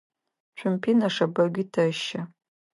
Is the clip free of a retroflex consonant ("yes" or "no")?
no